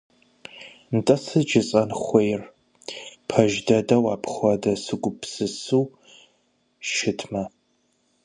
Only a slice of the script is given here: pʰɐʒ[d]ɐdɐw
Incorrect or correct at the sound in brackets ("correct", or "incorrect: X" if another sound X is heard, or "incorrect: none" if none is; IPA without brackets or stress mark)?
correct